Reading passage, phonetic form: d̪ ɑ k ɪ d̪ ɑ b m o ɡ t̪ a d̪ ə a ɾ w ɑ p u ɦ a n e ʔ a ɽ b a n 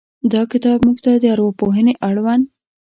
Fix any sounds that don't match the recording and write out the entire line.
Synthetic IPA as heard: d̪ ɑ k ɪ t̪ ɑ b m u ɡ t̪ a d̪ ə a ɾ w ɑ p o ɦ ə n e ʔ a ɽ w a n